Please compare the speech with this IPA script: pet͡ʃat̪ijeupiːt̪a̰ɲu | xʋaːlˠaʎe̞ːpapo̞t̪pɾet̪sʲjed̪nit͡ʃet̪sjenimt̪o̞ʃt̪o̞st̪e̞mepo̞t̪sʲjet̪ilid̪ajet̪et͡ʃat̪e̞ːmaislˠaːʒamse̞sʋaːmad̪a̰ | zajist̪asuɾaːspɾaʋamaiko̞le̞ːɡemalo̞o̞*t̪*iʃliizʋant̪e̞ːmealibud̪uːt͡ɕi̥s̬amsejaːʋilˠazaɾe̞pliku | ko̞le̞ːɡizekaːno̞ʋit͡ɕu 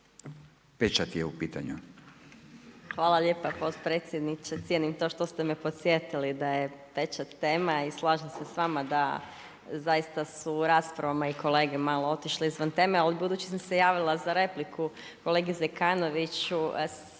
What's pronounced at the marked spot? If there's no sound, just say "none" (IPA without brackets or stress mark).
t̪